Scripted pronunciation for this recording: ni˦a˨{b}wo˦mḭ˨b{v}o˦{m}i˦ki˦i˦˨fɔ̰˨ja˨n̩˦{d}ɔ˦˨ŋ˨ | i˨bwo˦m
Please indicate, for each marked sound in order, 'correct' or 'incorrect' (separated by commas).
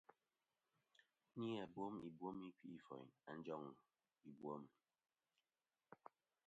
correct, incorrect, correct, incorrect